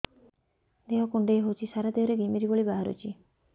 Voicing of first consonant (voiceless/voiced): voiced